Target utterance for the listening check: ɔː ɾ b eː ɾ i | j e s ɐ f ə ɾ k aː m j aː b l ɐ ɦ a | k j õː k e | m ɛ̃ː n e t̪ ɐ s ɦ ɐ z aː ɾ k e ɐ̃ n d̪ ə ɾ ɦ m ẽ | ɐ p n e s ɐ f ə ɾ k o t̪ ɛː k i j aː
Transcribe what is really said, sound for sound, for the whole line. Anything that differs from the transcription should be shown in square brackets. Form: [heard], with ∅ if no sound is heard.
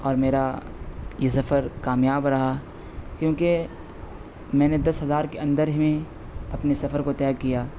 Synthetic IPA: ɔː ɾ [m] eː ɾ [a] | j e s ɐ f ə ɾ k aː m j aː b [ɾ] ɐ ɦ a | k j õː k e | m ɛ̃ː n e [d̪] ɐ s ɦ ɐ z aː ɾ k e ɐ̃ n d̪ ə ɾ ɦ m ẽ | ɐ p n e s ɐ f ə ɾ k o t̪ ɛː k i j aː